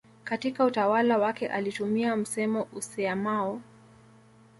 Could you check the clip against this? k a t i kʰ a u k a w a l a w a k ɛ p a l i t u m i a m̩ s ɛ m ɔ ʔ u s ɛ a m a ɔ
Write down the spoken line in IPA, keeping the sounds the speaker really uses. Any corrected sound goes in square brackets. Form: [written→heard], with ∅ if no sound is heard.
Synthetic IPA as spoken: k a t i [kʰ→k] a u [k→t] a w a l a w a k ɛ [p→ʔ] a l i t u m i a m̩ s ɛ m ɔ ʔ u s ɛ a m a ɔ